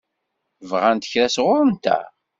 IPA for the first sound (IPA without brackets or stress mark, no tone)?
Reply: v